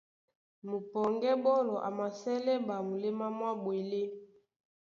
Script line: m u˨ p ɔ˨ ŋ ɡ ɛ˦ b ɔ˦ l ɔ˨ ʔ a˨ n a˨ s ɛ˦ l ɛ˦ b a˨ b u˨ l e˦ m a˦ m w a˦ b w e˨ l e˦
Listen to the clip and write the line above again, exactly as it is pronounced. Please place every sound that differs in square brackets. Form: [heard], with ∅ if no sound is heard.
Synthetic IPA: m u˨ p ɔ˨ ŋ ɡ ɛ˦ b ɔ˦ l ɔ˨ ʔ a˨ [m] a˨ s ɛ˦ l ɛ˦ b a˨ [m] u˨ l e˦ m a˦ m w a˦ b w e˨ l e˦